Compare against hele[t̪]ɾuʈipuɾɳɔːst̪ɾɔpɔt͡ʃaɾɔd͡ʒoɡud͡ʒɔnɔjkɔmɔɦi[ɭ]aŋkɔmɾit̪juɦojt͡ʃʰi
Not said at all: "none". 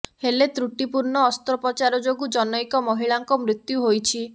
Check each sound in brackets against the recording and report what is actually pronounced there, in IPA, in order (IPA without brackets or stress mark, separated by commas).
t̪, ɭ